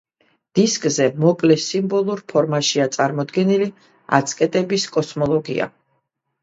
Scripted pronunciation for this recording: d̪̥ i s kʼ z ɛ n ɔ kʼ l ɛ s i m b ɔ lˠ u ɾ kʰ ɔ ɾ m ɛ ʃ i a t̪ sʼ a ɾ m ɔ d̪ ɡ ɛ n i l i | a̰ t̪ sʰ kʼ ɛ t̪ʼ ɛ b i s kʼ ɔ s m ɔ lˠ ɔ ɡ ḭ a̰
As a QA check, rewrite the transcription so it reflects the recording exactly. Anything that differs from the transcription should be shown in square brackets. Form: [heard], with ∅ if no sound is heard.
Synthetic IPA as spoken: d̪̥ i s kʼ z ɛ [m] ɔ kʼ l ɛ s i m b ɔ lˠ u ɾ [pʰ] ɔ ɾ m [a] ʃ i a t̪ sʼ a ɾ m ɔ d̪ ɡ ɛ n i l i | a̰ t̪ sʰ kʼ ɛ t̪ʼ ɛ b i s kʼ ɔ s m ɔ lˠ ɔ ɡ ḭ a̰